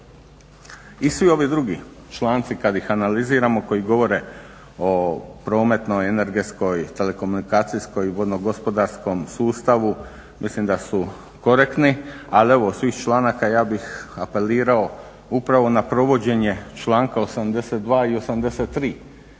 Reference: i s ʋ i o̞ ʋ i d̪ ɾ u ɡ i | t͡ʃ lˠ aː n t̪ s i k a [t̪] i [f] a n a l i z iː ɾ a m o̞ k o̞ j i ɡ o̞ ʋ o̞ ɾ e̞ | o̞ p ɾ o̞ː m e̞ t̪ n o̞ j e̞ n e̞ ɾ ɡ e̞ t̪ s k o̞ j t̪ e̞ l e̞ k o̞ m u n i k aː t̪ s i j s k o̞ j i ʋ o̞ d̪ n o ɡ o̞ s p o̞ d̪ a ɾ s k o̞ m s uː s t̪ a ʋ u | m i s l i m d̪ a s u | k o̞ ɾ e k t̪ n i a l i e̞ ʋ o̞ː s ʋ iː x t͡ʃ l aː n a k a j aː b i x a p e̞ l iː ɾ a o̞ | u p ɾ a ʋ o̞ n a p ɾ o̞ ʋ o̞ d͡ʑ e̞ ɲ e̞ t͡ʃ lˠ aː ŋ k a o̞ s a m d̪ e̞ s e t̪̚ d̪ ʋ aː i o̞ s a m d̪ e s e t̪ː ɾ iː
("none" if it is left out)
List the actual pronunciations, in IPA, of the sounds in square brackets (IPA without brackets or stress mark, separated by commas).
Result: d̪, x